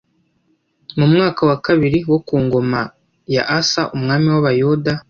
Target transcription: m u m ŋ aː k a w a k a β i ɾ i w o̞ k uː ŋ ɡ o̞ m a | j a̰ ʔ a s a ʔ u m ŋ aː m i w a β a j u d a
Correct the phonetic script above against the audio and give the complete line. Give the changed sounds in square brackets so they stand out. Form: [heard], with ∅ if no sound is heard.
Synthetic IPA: m u m ŋ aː k a w a k a β i ɾ i w o̞ k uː ŋ ɡ o̞ m a | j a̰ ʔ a s a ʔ u m ŋ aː m i w a β a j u d a